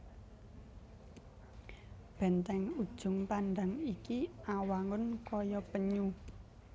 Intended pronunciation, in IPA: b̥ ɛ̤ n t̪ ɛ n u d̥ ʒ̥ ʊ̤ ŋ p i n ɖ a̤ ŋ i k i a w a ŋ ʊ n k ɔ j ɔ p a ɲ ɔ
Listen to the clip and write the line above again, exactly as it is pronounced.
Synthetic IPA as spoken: b̥ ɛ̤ n t̪ ɛ ŋ u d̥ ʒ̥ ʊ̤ ŋ p a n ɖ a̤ ŋ i k i a w a ŋ ʊ n k ɔ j ɔ p ə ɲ u